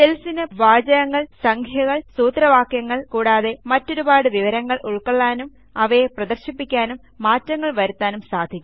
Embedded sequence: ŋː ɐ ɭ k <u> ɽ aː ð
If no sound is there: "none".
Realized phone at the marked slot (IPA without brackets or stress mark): uː